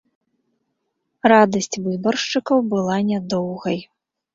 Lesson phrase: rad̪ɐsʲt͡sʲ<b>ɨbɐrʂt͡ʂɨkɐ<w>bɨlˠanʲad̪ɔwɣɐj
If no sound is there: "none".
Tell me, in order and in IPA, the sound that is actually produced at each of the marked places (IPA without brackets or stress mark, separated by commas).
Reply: v, w